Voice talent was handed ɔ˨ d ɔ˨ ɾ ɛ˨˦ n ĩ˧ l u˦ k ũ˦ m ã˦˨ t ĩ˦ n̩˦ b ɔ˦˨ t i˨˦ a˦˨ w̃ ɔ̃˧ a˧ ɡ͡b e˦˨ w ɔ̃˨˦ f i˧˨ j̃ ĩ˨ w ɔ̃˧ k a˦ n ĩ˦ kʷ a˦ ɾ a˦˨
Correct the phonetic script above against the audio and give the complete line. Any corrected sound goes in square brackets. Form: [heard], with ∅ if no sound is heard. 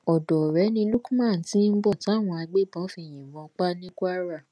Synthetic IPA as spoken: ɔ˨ d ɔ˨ ɾ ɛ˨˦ n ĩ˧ l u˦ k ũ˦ m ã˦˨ t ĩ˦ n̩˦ b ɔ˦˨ t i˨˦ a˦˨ w̃ ɔ̃˧ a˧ ɡ͡b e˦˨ [b] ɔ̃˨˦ f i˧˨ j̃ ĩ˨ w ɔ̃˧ [k͡p] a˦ n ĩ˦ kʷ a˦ ɾ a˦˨